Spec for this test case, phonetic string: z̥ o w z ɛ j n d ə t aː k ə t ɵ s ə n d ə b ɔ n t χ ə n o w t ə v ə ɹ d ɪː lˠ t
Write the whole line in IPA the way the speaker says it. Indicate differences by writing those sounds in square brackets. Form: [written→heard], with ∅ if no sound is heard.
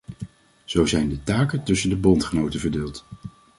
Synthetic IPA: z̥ o w z ɛ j n d ə t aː k ə t ɵ s ə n d ə b ɔ n t χ ə n o w t ə v ə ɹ d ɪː lˠ t